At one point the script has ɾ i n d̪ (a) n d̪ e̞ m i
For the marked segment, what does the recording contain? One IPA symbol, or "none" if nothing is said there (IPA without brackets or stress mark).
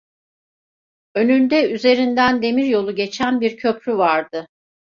æ